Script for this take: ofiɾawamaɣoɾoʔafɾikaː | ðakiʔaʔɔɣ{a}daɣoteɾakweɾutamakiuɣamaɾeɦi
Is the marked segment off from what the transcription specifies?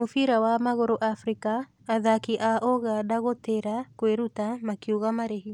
no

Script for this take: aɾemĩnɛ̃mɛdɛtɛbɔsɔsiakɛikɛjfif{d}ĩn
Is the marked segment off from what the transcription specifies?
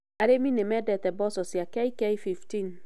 yes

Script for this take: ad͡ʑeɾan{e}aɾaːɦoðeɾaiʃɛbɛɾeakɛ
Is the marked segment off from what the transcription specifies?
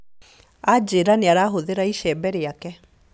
no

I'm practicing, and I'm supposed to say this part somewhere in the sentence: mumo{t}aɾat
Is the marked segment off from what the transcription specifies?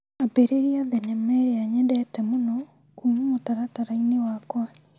no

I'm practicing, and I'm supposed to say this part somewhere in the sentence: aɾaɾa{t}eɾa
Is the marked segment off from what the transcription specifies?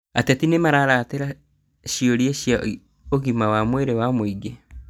no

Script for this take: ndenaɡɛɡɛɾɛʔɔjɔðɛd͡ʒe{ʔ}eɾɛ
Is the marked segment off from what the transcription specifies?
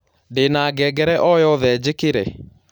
yes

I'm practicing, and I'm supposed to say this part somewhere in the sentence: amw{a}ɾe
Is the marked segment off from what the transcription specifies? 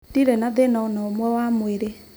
yes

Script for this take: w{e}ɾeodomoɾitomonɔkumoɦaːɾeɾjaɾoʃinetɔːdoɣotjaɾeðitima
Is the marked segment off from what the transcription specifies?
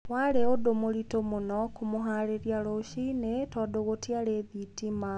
yes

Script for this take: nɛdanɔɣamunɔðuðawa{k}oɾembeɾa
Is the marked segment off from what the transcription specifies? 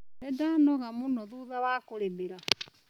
no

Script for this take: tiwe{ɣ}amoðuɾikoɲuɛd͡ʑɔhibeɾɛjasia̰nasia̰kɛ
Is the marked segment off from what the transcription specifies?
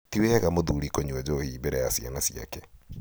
no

